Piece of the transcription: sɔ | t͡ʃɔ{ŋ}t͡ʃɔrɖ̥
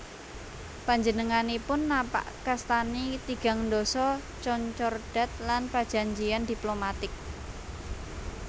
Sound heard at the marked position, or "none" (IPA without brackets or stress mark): ɲ